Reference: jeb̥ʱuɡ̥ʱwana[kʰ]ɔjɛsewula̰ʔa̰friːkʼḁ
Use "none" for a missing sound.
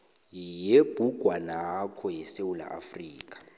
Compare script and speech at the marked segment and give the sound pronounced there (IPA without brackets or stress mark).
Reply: kʰ